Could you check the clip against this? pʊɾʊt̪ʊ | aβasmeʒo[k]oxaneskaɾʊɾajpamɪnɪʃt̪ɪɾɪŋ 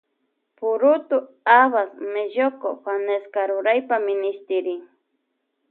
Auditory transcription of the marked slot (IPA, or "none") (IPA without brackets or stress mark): k